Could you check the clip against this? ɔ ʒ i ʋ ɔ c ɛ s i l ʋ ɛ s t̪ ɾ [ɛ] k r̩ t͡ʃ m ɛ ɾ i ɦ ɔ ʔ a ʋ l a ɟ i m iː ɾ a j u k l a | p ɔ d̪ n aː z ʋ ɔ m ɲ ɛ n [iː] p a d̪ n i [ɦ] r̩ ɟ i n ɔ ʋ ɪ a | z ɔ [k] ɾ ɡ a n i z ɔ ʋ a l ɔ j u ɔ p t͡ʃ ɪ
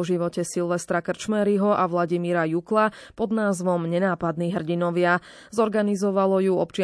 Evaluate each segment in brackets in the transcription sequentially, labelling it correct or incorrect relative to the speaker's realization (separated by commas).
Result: incorrect, incorrect, correct, incorrect